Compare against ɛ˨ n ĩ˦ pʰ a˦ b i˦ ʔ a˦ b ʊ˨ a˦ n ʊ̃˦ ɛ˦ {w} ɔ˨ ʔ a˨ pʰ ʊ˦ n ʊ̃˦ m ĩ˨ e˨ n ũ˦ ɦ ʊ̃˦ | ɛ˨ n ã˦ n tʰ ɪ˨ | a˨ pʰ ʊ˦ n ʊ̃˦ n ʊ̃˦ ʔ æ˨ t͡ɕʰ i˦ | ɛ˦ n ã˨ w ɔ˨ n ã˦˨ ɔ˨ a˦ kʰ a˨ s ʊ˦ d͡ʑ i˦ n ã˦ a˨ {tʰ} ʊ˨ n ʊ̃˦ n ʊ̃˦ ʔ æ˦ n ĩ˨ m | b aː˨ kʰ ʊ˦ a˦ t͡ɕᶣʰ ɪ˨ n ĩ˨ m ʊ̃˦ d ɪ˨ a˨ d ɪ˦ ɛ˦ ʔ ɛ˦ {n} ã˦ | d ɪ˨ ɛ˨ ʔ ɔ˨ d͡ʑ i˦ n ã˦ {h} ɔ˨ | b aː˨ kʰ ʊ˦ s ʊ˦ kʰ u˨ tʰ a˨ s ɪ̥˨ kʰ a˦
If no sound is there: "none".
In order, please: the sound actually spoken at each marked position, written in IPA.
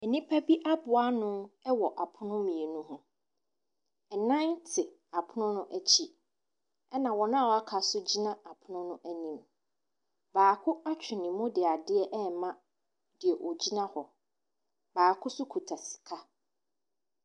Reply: w, pʰ, m, h

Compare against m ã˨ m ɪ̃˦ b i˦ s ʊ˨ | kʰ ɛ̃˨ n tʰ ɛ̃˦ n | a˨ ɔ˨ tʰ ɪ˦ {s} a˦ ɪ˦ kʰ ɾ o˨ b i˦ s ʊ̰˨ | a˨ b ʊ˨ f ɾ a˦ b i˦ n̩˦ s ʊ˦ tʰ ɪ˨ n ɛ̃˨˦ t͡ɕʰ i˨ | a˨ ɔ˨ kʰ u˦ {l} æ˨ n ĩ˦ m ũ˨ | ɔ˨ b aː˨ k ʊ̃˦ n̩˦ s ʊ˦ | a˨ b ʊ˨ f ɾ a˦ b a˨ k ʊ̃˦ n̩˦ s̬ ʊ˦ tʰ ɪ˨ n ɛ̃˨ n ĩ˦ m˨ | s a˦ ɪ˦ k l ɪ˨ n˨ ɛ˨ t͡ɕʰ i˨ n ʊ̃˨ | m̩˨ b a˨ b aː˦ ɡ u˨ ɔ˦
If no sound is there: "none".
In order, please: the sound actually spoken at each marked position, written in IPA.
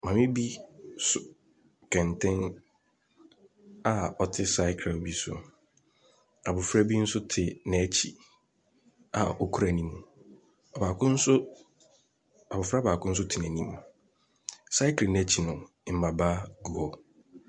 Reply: s, ɾ

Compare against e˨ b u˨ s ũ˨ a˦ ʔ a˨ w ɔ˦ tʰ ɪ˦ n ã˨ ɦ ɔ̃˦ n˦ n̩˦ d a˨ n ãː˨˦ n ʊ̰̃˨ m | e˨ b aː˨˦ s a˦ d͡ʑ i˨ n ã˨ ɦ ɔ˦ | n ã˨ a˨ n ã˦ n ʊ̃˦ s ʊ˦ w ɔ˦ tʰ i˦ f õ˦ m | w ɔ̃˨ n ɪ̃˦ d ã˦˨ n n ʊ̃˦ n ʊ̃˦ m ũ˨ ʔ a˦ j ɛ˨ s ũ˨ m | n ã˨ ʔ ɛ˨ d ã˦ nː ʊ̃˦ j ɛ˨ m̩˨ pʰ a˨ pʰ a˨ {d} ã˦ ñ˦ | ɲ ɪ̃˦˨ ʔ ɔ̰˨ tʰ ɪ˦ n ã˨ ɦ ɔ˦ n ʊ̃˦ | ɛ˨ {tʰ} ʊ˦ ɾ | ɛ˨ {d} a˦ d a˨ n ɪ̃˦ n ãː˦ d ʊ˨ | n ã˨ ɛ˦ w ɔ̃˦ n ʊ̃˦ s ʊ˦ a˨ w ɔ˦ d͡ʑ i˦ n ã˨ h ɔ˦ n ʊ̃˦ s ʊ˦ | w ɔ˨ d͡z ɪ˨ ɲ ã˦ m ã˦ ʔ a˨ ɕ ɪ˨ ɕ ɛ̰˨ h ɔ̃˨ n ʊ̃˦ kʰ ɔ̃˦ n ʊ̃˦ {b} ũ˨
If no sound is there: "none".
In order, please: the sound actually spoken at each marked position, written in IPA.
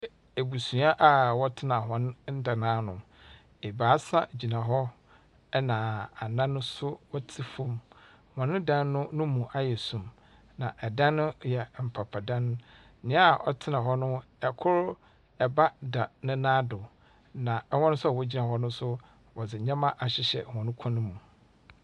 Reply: d, kʰ, b, m

